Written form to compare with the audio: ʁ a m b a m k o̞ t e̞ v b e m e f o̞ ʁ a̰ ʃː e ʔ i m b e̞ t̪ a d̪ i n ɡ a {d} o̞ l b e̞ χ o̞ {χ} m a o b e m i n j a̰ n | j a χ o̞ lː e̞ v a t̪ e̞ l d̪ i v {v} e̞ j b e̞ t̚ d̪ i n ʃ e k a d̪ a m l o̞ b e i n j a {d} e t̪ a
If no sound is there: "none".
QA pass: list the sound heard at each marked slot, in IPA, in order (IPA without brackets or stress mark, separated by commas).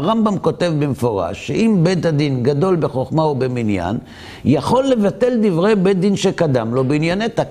d, χ, ʁ, n